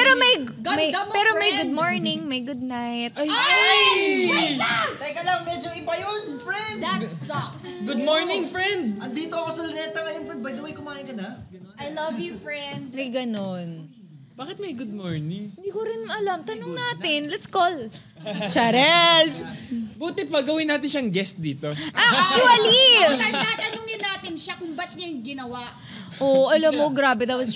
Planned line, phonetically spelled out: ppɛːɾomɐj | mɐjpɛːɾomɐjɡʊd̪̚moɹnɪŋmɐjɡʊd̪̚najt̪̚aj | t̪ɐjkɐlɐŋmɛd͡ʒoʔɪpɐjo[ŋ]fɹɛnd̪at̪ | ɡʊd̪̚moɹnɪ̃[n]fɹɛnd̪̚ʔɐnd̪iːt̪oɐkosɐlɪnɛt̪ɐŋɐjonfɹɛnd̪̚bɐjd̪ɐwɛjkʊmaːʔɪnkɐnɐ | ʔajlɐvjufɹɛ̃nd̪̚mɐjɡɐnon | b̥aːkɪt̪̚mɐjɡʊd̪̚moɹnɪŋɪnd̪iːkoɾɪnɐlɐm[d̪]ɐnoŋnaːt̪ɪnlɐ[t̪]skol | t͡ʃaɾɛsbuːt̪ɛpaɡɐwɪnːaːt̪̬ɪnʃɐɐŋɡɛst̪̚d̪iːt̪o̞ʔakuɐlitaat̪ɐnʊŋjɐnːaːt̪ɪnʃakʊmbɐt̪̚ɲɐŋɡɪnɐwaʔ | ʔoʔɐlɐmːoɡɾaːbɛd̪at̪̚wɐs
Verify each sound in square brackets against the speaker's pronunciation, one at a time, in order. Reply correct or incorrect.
incorrect, incorrect, incorrect, correct

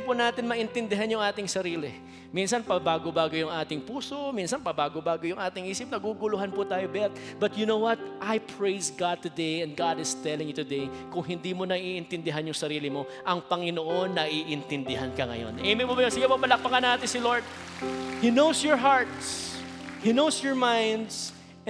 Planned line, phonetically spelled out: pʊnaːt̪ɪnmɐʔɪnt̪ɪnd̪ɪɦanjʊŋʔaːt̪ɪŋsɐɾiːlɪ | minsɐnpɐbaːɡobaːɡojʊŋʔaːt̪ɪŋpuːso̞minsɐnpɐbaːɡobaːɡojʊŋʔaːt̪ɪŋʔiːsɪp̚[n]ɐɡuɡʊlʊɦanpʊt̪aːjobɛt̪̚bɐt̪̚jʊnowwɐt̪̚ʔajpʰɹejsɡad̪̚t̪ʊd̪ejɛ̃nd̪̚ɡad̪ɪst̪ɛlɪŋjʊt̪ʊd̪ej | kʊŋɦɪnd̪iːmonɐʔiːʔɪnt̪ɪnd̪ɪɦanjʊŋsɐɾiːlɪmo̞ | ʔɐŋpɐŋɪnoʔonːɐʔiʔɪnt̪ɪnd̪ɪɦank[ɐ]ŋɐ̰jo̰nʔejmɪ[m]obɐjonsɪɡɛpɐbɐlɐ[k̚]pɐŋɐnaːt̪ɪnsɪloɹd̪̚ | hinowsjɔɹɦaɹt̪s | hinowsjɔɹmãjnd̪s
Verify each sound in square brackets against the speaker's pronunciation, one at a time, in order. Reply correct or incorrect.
correct, correct, correct, correct

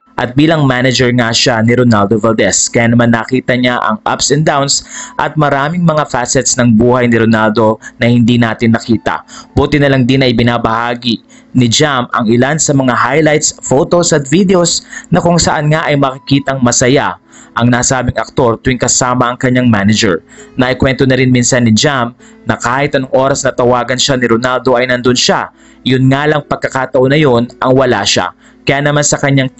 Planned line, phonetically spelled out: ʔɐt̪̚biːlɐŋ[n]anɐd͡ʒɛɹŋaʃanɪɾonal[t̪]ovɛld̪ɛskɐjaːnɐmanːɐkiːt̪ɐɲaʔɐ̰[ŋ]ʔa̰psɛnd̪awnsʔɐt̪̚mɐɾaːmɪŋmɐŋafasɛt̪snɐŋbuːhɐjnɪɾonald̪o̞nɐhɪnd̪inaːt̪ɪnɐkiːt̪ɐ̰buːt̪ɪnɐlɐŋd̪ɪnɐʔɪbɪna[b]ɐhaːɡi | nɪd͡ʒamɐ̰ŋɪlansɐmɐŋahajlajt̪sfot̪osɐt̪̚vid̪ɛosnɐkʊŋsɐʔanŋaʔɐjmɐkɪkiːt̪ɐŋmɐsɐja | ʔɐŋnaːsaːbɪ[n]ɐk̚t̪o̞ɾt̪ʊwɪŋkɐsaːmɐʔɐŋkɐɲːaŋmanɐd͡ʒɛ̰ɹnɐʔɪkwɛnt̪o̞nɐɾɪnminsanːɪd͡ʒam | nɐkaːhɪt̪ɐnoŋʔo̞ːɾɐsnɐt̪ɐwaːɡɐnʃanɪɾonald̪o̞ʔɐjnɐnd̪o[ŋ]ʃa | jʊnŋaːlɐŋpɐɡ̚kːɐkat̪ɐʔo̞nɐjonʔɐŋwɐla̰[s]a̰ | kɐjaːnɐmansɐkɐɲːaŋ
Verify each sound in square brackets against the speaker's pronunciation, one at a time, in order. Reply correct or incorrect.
incorrect, incorrect, correct, correct, incorrect, incorrect, incorrect

